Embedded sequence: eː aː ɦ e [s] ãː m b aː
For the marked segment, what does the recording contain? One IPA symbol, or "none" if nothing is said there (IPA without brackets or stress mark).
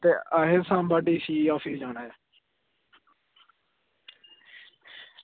s